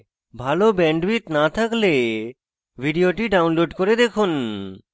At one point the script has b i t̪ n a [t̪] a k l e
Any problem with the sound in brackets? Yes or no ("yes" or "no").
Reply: yes